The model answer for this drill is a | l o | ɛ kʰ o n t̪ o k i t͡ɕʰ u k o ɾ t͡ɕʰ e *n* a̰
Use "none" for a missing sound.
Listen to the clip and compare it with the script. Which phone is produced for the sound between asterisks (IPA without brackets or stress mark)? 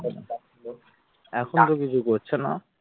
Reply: n